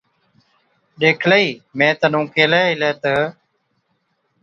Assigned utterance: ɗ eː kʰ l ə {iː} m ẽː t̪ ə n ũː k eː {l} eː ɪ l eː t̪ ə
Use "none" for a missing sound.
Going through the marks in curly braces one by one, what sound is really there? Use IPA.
iː, l

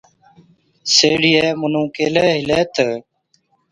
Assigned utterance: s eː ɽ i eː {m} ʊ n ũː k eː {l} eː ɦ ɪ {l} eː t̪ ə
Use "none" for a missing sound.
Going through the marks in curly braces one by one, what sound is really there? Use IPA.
m, l, l

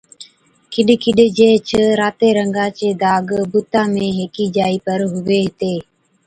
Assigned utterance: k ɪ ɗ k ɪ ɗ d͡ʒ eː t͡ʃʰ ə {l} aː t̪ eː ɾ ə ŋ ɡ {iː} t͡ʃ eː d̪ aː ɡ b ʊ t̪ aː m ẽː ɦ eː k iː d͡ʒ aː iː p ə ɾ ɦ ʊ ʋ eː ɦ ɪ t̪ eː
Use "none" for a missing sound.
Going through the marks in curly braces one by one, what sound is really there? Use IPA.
ɾ, aː

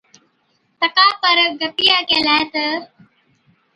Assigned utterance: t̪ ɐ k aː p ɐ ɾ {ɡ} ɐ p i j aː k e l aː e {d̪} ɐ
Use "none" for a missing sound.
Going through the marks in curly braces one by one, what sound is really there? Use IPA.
ɡ, t̪

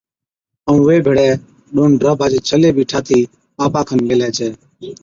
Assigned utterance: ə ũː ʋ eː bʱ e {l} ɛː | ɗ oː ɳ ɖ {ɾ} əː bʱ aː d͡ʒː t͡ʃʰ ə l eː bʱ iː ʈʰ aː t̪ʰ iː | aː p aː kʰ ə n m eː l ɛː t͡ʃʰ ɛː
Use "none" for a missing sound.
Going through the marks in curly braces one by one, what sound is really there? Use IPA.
ɽ, ɾ

